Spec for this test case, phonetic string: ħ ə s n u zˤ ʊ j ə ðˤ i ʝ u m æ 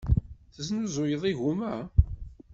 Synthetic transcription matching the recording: θ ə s n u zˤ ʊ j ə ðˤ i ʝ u m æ